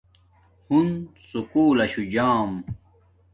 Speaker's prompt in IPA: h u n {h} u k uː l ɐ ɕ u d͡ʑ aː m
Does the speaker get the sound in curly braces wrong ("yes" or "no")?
yes